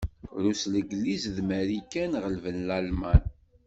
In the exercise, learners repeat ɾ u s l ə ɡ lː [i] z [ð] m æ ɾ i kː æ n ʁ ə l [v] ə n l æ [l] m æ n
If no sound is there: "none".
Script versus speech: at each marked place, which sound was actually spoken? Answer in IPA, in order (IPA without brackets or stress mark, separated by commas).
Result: i, ð, v, l